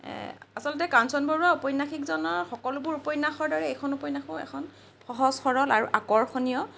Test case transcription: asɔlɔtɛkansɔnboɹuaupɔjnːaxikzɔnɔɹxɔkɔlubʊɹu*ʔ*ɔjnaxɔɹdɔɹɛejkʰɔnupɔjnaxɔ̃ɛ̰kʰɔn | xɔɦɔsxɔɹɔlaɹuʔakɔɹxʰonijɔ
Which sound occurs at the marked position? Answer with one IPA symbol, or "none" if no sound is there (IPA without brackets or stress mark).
p